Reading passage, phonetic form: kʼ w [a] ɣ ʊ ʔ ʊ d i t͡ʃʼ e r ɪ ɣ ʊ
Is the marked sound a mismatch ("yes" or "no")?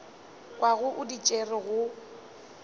no